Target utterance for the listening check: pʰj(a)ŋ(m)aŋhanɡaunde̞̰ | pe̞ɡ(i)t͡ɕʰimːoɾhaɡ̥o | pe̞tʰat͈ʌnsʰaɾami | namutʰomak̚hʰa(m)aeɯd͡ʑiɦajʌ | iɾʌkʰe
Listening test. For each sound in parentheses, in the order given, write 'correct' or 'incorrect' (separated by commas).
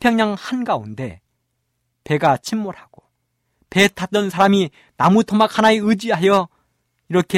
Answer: incorrect, incorrect, incorrect, incorrect